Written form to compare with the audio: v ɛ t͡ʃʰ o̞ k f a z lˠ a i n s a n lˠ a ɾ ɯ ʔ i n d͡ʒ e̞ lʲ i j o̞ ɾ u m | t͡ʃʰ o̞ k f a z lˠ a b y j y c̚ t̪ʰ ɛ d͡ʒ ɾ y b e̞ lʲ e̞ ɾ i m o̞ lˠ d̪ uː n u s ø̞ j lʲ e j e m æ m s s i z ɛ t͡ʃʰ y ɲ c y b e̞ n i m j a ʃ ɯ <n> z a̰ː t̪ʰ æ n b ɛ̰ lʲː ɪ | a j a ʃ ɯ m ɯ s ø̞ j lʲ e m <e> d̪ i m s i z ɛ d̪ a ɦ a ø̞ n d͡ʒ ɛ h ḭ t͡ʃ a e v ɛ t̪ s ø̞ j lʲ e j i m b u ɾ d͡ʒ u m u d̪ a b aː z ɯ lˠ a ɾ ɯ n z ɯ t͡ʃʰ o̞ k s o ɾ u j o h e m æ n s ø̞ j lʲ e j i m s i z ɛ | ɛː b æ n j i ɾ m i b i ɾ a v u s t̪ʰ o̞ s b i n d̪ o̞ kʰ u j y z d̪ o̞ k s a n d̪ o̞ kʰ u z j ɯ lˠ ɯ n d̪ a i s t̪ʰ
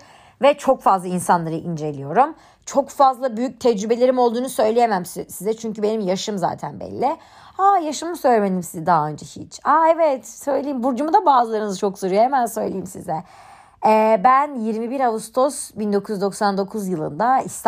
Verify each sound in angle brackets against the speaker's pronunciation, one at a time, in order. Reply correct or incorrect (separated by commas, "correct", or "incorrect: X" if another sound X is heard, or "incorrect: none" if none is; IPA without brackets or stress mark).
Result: incorrect: m, correct